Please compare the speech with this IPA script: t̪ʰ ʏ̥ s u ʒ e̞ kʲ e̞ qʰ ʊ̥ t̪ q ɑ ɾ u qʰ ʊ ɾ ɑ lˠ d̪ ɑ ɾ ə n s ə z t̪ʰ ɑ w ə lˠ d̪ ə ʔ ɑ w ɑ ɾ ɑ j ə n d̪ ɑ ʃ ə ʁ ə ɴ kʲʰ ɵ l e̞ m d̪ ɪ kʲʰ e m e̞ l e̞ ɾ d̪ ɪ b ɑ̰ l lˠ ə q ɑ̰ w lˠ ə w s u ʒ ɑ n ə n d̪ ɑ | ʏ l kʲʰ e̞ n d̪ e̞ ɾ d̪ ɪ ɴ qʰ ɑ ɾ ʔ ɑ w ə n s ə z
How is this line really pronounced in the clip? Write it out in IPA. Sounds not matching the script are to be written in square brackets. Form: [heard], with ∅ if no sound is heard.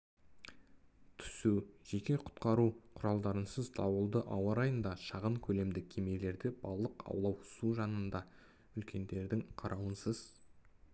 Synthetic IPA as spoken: t̪ʰ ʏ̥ s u ʒ e̞ kʲ e̞ qʰ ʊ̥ t̪ q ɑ ɾ u qʰ ʊ ɾ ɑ lˠ d̪ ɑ ɾ ə n s ə z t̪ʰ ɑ w ə lˠ d̪ ə ʔ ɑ w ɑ ɾ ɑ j ə n d̪ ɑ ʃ [ɑ] ʁ ə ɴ kʲʰ ɵ l e̞ m d̪ ɪ kʲʰ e m e̞ l e̞ ɾ d̪ ɪ b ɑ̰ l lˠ ə q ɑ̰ w lˠ [ɑ] w s u ʒ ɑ n ə n d̪ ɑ | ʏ l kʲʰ e̞ n d̪ e̞ ɾ d̪ ɪ [ŋ] qʰ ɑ ɾ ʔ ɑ w ə n s ə z